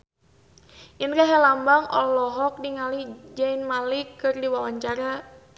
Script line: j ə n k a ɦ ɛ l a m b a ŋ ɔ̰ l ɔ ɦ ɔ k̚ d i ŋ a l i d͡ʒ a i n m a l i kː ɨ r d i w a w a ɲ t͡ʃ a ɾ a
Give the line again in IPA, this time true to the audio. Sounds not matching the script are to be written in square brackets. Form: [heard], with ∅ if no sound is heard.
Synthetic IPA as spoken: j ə n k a ɦ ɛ l a m b a ŋ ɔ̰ l ɔ ɦ ɔ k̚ d i ŋ a l i d͡ʒ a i n m a l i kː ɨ r d i w a w a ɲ t͡ʃ a ɾ a